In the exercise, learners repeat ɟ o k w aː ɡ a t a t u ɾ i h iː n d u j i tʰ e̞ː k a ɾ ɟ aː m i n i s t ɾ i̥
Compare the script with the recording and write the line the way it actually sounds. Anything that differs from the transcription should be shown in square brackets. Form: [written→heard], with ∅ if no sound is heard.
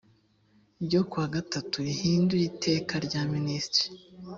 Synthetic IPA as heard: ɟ o k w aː ɡ a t a t u ɾ i h iː n d u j i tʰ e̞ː k a ɾ ɟ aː m i n i s t ɾ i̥